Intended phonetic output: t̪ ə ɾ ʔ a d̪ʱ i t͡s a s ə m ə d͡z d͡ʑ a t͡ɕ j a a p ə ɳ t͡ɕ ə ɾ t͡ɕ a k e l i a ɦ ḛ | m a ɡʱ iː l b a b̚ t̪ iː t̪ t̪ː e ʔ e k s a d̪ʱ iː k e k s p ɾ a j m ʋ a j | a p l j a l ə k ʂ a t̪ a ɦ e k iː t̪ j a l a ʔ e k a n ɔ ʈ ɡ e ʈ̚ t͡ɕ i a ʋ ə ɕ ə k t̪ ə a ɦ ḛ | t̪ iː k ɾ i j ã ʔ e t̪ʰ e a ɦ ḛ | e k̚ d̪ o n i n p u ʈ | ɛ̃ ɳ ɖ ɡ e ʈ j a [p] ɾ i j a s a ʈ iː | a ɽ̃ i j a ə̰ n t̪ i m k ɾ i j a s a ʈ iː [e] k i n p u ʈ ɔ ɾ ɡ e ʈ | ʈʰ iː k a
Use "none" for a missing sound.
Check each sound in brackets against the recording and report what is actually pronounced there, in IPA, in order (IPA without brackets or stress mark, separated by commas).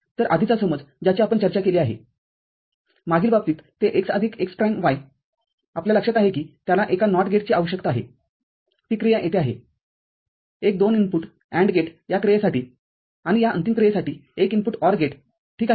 k, e